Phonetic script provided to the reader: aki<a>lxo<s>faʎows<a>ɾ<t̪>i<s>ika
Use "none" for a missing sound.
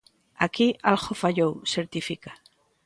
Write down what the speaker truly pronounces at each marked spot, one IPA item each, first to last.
a, none, e, t̪, f

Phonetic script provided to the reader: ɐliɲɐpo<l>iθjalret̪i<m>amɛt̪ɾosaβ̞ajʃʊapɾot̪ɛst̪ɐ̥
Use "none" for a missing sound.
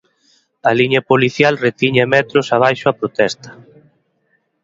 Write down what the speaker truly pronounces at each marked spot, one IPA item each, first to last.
l, ɲ

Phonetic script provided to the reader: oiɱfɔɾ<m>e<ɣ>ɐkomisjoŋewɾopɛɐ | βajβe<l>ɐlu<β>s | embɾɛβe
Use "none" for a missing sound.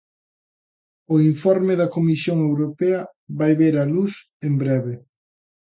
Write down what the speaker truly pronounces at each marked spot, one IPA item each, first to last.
m, ð, ɾ, none

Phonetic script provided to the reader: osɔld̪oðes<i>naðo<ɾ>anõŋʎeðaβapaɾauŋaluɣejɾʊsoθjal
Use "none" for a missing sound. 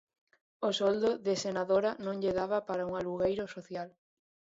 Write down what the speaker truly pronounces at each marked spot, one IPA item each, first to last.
e, ɾ

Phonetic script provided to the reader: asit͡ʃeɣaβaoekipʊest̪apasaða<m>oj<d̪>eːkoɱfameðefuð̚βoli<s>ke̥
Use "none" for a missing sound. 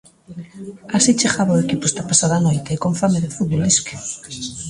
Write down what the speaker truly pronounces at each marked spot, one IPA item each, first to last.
n, t̪, s

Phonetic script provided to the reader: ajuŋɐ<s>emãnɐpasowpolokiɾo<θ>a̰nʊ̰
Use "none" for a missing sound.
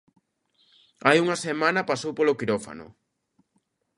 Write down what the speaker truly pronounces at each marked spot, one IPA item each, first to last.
s, f

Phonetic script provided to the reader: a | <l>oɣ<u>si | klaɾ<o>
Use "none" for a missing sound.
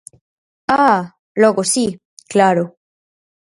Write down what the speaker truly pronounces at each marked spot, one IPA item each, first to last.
l, o, o

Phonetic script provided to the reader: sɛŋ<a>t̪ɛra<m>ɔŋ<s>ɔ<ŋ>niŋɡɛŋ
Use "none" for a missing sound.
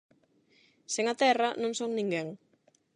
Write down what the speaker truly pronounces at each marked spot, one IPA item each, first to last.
a, n, s, ŋ

